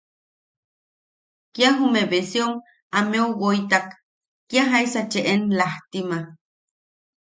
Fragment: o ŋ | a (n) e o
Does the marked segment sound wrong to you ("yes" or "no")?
yes